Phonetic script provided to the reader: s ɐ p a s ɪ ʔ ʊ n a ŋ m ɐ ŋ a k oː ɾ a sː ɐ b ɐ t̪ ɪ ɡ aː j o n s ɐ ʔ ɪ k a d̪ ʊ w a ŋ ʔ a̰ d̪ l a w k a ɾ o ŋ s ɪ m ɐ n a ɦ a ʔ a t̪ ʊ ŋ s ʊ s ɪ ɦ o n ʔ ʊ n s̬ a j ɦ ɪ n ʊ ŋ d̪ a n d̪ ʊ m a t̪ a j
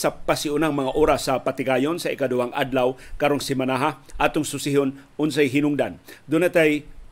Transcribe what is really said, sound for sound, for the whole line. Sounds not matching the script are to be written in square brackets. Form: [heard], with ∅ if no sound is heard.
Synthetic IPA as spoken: s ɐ p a s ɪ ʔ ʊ n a ŋ m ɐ ŋ a [ʔ] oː ɾ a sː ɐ [p] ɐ t̪ ɪ ɡ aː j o n s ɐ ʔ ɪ k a d̪ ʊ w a ŋ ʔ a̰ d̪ l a w k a ɾ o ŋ s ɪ m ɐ n a ɦ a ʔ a t̪ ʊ ŋ s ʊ s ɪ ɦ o n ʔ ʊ n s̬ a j ɦ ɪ n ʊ ŋ d̪ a n d̪ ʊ [n] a t̪ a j